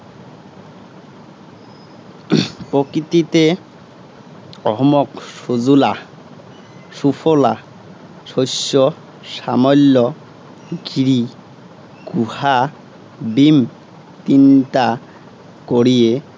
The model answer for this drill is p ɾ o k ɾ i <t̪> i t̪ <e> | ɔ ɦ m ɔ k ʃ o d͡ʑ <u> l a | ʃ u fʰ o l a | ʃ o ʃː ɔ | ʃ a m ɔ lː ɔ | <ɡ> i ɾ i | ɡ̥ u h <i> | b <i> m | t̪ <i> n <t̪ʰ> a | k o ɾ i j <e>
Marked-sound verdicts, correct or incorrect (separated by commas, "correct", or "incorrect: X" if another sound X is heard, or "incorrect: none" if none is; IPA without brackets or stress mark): correct, correct, correct, correct, incorrect: a, correct, correct, incorrect: t̪, correct